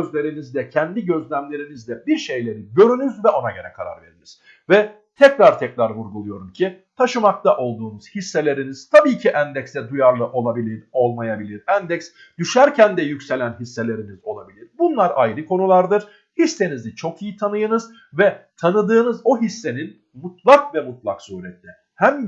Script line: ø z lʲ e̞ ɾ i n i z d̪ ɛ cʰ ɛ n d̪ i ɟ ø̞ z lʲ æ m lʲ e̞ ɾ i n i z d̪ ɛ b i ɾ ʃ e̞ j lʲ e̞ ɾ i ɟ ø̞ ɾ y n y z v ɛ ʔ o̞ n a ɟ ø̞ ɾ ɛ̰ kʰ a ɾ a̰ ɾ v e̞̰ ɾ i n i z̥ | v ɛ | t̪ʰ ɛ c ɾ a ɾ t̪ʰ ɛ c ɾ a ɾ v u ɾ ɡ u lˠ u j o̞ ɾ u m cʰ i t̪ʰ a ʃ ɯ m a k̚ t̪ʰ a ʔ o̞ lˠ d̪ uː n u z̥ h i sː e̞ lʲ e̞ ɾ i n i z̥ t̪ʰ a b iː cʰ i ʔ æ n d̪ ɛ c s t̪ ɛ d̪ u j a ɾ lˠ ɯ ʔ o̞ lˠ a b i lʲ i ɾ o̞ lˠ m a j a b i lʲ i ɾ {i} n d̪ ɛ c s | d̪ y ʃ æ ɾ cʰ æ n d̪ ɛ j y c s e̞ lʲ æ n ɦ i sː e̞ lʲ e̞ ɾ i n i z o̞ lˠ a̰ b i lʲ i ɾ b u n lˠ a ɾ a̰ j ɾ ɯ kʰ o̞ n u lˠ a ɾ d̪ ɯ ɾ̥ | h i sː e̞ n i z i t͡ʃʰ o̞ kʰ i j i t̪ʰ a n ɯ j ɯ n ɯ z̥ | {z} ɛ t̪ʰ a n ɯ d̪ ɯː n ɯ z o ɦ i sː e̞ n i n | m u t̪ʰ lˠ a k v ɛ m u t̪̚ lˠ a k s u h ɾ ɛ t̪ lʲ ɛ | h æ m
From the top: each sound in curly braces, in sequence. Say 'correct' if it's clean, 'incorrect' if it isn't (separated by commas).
incorrect, incorrect